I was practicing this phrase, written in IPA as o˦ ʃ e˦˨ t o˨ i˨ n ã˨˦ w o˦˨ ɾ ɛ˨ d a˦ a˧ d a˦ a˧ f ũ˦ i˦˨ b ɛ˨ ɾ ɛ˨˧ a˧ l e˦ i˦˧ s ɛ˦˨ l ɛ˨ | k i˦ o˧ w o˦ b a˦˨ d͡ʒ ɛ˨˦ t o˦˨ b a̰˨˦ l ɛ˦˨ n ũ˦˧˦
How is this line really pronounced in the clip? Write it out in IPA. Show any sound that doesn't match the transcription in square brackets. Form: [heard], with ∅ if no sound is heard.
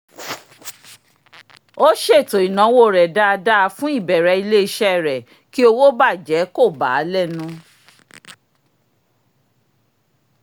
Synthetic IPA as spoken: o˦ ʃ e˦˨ t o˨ i˨ n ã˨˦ w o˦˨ ɾ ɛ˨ d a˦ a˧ d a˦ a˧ f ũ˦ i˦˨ b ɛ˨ ɾ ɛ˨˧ [i˧] l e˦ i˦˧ [ʃ] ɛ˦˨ [ɾ] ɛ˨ | k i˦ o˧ w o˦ b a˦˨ d͡ʒ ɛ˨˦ [k] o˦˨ b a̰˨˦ l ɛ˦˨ n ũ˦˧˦

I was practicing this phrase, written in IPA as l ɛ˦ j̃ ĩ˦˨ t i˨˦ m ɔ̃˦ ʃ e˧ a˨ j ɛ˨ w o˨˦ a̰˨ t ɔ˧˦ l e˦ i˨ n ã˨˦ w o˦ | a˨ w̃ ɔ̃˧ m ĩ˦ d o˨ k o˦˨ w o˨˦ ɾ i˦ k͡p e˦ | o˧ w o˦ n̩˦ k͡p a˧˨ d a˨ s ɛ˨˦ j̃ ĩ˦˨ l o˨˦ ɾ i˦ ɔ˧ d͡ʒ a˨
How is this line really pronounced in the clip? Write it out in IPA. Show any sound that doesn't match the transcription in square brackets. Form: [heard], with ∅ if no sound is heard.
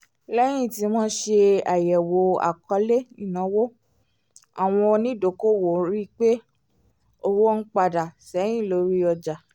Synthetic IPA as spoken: l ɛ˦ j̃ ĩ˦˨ t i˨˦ m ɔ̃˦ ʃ e˧ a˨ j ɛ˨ w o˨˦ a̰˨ [k] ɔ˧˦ l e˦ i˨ n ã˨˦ w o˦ | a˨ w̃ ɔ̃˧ [n] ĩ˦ d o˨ k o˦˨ w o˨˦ ɾ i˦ k͡p e˦ | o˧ w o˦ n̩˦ k͡p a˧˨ d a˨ s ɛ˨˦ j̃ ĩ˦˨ l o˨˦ ɾ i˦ ɔ˧ d͡ʒ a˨

